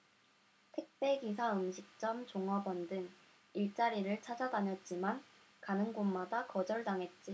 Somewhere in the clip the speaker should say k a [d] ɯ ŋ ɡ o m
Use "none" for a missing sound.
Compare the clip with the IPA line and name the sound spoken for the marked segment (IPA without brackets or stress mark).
n